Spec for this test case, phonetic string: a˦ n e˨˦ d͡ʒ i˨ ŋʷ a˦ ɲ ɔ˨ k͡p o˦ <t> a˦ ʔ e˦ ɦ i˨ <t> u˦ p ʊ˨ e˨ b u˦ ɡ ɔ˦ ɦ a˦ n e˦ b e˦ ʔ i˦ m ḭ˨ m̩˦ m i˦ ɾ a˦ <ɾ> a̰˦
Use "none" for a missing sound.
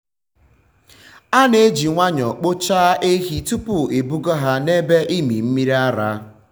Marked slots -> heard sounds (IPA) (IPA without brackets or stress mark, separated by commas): t͡ʃ, t, ɾ